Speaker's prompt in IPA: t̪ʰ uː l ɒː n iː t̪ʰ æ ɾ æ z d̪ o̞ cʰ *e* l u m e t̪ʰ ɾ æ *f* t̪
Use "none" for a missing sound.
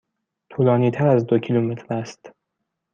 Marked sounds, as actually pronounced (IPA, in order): i, s

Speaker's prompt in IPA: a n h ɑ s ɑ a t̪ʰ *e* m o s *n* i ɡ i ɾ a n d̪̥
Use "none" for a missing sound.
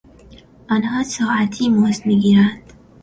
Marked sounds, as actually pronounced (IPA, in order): i, m

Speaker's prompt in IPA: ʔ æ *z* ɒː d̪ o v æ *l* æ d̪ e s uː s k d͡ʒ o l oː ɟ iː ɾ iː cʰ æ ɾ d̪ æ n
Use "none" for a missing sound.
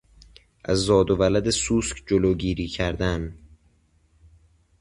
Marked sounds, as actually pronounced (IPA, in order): zː, l

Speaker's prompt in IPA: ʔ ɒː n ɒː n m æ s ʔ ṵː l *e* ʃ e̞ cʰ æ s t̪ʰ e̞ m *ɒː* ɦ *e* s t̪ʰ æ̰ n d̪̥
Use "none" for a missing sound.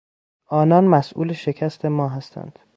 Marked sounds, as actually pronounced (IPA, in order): e, ɒː, æ

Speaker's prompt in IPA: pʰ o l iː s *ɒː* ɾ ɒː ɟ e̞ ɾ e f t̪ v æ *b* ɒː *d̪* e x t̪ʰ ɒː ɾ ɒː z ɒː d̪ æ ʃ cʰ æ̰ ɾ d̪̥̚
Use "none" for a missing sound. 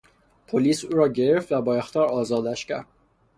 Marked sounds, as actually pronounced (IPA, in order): uː, b, none

